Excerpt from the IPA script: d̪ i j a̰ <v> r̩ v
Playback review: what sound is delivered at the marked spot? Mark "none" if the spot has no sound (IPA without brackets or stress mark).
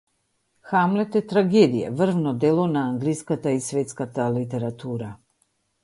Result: v